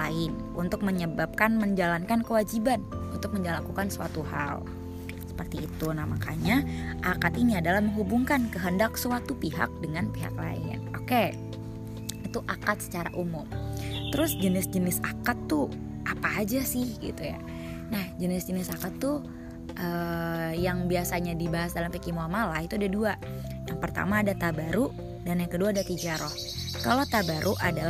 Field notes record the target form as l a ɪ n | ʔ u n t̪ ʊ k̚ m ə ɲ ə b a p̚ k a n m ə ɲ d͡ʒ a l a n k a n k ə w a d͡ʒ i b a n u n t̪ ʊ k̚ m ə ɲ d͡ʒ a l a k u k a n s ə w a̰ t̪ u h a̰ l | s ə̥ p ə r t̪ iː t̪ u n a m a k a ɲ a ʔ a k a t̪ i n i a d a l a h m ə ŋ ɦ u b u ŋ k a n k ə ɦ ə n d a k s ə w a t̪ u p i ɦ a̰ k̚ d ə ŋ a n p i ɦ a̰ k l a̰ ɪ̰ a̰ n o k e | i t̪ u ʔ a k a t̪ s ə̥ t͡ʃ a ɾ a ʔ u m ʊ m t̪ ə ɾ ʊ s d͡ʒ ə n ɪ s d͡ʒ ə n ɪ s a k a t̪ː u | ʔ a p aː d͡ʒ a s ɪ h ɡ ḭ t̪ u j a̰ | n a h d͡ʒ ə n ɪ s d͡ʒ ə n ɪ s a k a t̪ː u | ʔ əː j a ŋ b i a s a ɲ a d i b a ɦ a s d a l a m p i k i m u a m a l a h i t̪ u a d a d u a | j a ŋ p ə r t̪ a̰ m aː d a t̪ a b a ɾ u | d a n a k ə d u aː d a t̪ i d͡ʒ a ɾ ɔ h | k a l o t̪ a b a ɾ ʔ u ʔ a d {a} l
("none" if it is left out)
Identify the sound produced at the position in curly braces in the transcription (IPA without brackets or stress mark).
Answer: a